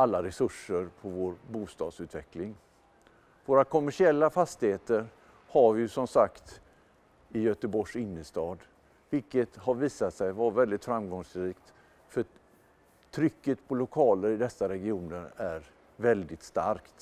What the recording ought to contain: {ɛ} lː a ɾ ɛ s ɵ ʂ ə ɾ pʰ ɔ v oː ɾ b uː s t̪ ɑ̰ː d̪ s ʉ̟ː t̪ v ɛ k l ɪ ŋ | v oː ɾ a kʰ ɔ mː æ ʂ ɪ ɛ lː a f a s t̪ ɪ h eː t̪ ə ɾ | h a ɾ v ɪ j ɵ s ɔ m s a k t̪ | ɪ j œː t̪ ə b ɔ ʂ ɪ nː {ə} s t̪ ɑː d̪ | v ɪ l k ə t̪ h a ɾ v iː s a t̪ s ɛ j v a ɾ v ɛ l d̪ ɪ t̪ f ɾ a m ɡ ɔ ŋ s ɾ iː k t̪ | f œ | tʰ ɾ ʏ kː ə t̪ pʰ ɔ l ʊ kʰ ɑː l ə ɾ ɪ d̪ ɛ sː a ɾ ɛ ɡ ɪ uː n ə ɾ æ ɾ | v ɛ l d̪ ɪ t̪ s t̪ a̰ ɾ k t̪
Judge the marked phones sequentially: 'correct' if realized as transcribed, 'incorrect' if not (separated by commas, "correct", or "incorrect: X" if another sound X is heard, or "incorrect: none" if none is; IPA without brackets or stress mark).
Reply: incorrect: a, correct